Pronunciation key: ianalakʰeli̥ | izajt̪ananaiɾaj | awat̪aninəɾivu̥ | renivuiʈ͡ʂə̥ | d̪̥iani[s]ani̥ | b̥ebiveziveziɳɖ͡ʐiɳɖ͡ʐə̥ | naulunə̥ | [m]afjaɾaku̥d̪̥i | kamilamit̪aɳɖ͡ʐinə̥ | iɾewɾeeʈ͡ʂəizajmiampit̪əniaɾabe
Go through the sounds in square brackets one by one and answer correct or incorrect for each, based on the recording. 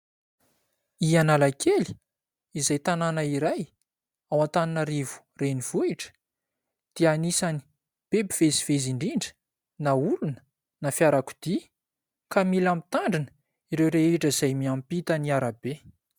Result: correct, incorrect: n

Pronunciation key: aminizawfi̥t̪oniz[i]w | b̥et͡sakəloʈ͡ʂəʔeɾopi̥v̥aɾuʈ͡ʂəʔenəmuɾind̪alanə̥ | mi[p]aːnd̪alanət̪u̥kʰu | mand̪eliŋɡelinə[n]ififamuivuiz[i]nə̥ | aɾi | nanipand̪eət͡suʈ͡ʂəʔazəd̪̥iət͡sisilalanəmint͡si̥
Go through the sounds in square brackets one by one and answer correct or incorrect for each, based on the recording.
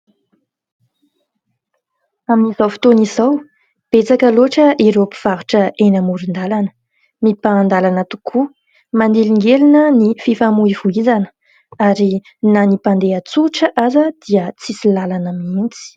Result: incorrect: a, correct, correct, incorrect: a

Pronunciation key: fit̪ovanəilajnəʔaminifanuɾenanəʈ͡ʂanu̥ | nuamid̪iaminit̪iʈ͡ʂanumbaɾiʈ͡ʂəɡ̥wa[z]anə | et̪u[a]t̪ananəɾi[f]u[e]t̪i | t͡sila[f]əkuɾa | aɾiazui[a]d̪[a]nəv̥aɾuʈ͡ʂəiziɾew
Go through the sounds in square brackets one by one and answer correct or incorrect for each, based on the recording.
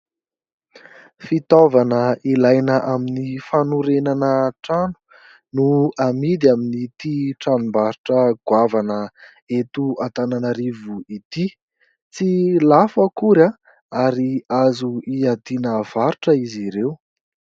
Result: incorrect: v, correct, incorrect: v, incorrect: i, correct, correct, incorrect: i

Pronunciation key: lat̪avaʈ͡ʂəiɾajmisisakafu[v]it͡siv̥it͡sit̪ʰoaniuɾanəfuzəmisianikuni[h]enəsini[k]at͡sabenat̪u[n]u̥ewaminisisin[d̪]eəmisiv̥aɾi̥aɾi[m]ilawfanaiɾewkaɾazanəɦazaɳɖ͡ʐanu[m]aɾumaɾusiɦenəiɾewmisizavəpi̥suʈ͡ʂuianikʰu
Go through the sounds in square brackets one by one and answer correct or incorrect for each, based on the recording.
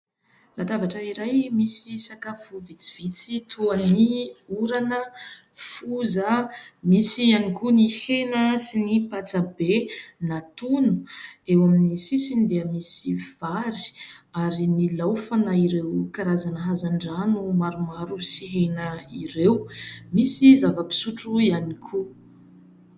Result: correct, correct, incorrect: p, correct, correct, incorrect: n, correct

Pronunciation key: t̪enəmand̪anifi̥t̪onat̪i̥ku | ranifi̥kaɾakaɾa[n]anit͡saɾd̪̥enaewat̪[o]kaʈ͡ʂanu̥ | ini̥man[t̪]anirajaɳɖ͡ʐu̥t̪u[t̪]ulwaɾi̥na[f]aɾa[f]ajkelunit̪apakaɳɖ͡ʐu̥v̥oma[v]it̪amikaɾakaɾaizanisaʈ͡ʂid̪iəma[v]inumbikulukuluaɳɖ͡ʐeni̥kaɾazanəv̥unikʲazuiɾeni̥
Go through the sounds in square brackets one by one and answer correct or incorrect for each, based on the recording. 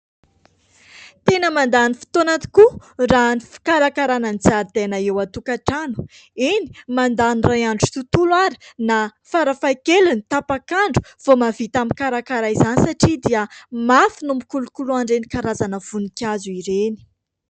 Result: correct, incorrect: u, incorrect: d̪, correct, correct, correct, correct, incorrect: f

